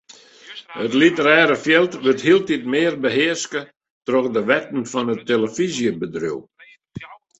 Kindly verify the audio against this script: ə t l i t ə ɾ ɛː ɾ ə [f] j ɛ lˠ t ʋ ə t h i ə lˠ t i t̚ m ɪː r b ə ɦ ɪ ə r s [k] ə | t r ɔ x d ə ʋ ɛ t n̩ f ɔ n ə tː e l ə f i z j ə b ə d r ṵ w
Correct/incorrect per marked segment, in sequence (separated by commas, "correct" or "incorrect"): correct, correct